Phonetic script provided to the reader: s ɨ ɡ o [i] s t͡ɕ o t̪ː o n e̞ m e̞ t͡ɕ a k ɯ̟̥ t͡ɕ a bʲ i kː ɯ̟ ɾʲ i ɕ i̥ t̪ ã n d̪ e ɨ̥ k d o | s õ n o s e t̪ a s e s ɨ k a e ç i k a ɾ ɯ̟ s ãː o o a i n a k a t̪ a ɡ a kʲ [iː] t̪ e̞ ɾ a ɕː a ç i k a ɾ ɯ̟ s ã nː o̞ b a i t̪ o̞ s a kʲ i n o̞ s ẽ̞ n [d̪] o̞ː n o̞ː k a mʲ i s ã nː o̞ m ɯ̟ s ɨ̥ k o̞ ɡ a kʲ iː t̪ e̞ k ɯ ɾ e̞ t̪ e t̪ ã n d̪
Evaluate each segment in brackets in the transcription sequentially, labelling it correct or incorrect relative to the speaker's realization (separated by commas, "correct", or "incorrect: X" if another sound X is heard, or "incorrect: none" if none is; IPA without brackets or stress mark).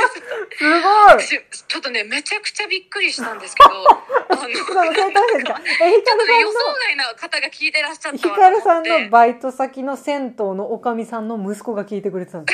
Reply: correct, correct, incorrect: t̪